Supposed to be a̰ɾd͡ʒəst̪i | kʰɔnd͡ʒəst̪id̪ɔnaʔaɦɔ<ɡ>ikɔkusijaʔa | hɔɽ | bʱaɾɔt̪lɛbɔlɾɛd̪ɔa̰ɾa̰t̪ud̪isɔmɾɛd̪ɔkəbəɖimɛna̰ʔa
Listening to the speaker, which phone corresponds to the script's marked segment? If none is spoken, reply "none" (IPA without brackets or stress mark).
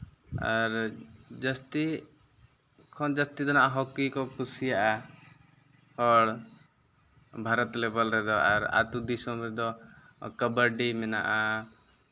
k